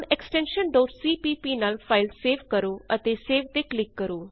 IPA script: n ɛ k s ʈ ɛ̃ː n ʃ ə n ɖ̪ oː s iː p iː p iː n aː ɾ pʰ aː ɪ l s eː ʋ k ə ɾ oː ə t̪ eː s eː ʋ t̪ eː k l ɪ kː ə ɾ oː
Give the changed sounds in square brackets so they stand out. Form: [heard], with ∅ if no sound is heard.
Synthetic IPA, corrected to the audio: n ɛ k s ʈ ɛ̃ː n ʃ ə n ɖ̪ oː s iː p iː p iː n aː [l] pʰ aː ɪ l s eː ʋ k ə ɾ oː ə t̪ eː s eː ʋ t̪ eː k l ɪ kː ə ɾ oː

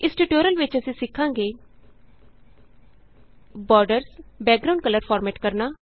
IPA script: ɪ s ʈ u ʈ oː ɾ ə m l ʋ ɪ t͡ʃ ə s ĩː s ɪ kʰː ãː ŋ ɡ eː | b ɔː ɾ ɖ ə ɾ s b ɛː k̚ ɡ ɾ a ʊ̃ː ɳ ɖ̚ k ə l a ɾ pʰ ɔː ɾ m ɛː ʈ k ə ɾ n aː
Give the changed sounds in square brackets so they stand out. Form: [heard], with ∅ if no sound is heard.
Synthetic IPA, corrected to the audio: ɪ s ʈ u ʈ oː ɾ ə [∅] l ʋ ɪ t͡ʃ ə s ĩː s ɪ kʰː ãː ŋ ɡ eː | b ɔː ɾ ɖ ə ɾ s b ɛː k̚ ɡ ɾ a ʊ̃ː ɳ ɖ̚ k ə l [ə] ɾ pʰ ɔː ɾ m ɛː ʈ k ə ɾ n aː

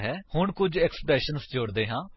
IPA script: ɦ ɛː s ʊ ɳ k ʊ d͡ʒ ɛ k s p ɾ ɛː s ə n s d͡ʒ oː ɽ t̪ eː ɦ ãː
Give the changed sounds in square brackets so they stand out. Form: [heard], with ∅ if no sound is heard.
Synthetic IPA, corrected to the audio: ɦ ɛː [h] ʊ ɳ k ʊ d͡ʒ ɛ k s p ɾ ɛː [ʃ] ə n s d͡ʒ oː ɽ [d̪] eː ɦ ãː

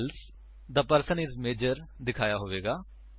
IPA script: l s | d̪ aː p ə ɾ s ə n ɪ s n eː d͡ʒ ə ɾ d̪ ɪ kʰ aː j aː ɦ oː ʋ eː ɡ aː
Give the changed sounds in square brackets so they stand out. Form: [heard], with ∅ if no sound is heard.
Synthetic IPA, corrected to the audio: l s | d̪ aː p ə ɾ s ə n ɪ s [m] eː d͡ʒ ə ɾ d̪ ɪ kʰ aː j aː ɦ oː ʋ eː ɡ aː

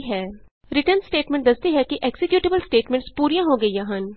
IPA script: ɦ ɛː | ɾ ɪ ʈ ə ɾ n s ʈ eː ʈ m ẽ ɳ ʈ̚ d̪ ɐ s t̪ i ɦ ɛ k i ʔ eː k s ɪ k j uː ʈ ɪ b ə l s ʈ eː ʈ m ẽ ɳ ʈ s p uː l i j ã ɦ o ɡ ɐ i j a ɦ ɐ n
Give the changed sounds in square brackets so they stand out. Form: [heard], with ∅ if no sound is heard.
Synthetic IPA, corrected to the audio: ɦ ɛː | ɾ ɪ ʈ ə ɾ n s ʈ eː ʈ m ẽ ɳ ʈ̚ d̪ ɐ s t̪ i ɦ ɛ k i ʔ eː k s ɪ k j uː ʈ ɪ b ə l s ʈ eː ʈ m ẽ ɳ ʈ s p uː [ɾ] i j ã ɦ o ɡ ɐ i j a ɦ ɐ n

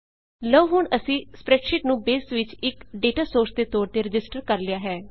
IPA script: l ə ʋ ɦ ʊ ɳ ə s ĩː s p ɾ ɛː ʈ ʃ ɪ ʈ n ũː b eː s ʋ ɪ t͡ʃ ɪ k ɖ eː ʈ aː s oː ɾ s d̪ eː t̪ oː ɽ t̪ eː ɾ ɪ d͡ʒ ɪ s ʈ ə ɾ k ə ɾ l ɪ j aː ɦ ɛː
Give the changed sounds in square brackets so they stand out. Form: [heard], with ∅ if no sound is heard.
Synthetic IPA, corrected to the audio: l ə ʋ ɦ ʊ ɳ ə s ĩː s p ɾ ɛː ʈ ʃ ɪ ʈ n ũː b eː s ʋ ɪ t͡ʃ ɪ k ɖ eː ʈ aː s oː ɾ s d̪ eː t̪ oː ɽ t̪ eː ɾ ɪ d͡ʒ ɪ s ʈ ə ɾ k ə ɾ l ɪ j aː ɦ ɛː

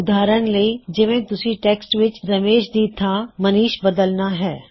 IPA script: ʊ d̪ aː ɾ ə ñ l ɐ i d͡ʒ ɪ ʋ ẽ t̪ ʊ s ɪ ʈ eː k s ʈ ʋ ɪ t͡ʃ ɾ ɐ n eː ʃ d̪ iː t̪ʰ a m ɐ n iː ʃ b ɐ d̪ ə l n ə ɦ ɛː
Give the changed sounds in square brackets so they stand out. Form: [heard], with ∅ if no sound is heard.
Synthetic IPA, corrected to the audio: ʊ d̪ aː ɾ ə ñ l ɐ i d͡ʒ ɪ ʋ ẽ t̪ ʊ s [i] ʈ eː k s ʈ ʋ ɪ t͡ʃ ɾ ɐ [m] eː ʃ d̪ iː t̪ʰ a m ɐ n iː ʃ b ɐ d̪ ə l n [a] ɦ ɛː

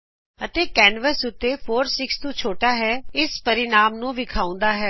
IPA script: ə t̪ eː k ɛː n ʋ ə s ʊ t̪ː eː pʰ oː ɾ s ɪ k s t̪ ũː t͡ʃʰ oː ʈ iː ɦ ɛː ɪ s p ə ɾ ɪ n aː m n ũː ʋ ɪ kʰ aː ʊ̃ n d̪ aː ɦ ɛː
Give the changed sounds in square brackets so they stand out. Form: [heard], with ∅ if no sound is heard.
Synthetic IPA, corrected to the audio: ə t̪ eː k ɛː n ʋ ə s ʊ t̪ː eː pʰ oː ɾ s ɪ k s t̪ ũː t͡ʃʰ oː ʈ [aː] ɦ ɛː ɪ s p ə ɾ ɪ n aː m n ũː ʋ ɪ kʰ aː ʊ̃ n d̪ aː ɦ ɛː

